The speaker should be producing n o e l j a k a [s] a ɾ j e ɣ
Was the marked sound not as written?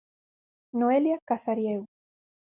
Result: no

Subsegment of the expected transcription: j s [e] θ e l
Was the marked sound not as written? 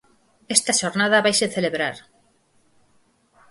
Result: no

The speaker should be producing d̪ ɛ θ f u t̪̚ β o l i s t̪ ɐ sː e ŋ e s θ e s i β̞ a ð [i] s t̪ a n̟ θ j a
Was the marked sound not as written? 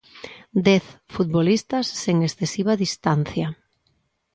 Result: no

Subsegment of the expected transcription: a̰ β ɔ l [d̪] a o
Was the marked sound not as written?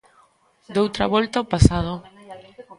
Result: yes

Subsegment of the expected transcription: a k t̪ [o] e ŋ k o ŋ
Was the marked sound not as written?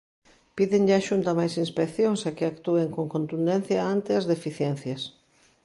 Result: yes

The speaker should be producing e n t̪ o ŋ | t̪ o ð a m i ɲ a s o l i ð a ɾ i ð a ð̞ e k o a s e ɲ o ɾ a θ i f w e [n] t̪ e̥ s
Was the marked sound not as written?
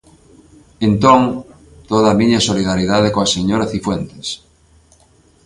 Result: no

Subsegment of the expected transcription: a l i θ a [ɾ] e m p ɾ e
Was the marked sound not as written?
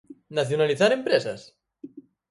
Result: no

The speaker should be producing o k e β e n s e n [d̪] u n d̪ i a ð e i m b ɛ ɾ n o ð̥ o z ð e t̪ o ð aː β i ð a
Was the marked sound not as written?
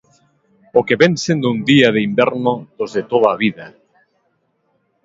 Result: no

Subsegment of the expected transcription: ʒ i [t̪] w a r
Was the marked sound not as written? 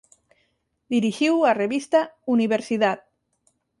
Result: yes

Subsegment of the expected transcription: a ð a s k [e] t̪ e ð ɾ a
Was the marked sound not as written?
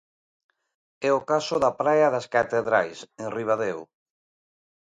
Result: yes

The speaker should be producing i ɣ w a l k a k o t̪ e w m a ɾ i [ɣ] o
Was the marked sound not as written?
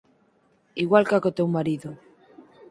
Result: yes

